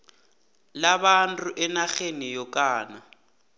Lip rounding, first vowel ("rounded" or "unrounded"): unrounded